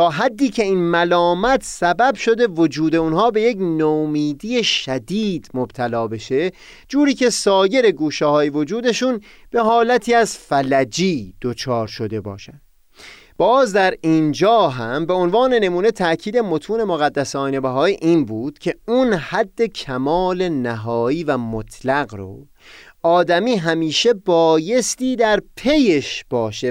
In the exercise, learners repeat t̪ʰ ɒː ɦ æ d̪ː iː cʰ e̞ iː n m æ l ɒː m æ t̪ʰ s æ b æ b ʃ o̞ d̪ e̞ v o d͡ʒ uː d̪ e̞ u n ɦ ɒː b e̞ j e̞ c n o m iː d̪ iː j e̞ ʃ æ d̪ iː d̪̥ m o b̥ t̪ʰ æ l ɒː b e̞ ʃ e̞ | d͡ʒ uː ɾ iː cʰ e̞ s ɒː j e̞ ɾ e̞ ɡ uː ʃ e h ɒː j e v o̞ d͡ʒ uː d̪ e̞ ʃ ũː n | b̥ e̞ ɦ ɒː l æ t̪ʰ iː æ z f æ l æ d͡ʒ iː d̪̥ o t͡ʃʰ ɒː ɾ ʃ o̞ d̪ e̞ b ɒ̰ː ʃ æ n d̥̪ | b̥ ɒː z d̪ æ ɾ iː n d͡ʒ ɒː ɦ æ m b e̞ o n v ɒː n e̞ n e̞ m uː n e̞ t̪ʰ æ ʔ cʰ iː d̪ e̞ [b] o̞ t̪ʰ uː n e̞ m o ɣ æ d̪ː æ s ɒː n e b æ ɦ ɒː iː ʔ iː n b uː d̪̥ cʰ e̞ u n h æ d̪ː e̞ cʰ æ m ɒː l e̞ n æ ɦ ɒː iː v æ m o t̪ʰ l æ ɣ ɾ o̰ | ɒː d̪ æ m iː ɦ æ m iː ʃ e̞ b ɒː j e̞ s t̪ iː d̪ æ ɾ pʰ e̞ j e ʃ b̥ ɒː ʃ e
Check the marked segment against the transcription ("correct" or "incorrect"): incorrect